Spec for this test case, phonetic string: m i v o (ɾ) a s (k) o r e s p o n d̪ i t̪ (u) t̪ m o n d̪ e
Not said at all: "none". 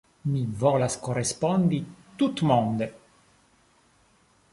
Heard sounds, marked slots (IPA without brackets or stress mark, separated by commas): l, k, u